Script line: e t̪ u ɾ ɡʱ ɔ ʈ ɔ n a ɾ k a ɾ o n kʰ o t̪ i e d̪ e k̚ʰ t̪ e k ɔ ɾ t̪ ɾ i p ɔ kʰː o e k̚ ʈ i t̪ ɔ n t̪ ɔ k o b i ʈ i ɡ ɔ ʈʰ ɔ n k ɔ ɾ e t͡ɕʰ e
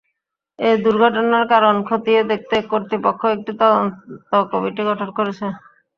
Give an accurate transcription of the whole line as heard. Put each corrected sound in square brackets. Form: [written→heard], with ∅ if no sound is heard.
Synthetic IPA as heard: e [t̪→d̪] u ɾ ɡʱ ɔ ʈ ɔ n a ɾ k a ɾ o n kʰ o t̪ i e d̪ e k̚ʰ t̪ e k [ɔ→o] ɾ t̪ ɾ i p ɔ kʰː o e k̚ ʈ i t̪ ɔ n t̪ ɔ k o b i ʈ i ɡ ɔ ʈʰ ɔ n k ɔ ɾ e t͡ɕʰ e